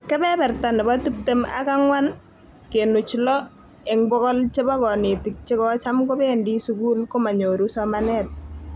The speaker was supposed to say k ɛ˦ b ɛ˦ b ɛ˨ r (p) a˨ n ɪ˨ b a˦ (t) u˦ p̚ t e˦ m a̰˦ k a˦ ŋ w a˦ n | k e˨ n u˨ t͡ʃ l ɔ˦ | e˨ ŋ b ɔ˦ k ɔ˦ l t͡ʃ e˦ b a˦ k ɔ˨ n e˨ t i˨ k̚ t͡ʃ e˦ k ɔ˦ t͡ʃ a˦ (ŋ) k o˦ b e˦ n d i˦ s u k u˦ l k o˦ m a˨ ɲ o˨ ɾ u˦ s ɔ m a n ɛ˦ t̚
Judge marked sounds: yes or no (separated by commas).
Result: no, yes, no